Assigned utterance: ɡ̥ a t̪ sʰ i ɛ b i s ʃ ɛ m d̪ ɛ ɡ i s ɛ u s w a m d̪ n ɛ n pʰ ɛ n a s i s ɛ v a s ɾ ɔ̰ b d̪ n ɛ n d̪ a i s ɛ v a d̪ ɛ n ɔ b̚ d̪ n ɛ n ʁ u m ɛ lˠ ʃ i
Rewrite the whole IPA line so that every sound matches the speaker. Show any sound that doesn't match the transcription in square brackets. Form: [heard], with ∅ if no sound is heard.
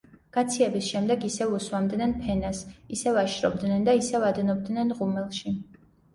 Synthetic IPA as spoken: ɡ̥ a t̪ sʰ i ɛ b i s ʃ ɛ m d̪ ɛ ɡ i s ɛ u s w a m d̪ n ɛ n pʰ ɛ n a s i s ɛ v a [ʃ] ɾ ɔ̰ b d̪ n ɛ n d̪ a i s ɛ v a d̪ ɛ n ɔ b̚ d̪ n ɛ n ʁ u m ɛ lˠ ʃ i